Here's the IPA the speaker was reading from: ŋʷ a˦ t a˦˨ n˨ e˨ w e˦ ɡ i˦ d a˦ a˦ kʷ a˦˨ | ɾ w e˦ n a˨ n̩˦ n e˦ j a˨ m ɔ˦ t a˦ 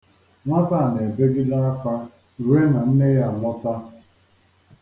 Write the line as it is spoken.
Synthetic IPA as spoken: ŋʷ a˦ t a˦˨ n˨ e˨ b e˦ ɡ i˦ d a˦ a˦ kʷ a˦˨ | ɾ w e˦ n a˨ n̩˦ n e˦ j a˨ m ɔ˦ t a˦